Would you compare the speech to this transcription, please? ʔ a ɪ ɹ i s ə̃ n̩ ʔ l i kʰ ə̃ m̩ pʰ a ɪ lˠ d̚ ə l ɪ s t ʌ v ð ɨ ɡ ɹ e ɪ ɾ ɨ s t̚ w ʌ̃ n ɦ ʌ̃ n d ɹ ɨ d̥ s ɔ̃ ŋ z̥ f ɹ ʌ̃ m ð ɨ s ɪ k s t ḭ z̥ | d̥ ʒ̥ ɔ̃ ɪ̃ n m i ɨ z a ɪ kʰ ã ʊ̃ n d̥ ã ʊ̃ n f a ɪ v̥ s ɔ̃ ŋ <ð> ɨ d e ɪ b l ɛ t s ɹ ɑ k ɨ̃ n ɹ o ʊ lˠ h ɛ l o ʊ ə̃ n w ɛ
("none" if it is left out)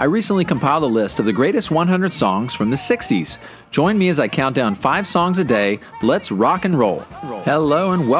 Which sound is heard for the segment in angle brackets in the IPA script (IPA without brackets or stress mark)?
z